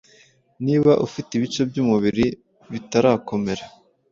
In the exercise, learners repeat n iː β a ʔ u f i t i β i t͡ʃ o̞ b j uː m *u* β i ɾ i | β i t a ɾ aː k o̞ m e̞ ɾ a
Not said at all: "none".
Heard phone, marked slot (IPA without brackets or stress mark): u